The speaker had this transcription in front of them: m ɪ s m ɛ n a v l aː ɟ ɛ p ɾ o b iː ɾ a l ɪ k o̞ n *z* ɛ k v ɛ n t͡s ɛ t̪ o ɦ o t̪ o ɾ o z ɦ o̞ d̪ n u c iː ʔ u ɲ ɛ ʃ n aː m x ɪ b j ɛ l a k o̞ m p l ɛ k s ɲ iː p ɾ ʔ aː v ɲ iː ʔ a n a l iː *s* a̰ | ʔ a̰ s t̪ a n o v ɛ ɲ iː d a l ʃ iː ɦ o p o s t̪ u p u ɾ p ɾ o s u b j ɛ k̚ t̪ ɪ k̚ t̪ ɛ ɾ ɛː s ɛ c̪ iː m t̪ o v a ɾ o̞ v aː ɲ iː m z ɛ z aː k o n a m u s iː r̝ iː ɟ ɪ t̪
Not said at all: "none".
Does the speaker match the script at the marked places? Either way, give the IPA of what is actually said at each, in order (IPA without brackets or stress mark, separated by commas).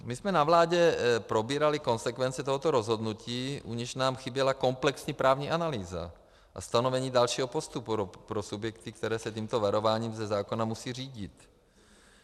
s, z